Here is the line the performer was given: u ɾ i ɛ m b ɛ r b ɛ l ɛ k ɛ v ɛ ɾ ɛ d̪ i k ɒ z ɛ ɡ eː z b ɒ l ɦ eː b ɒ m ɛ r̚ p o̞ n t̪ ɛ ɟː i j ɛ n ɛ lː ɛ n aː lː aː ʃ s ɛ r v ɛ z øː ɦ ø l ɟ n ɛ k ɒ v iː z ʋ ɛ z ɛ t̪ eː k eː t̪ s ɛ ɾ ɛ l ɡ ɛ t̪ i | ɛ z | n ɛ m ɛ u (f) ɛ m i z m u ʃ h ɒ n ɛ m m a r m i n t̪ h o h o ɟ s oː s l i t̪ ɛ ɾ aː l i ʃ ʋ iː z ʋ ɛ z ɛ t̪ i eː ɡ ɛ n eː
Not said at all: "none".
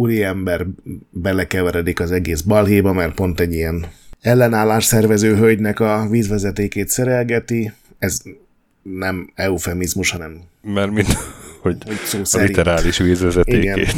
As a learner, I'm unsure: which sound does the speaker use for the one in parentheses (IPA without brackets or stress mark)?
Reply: f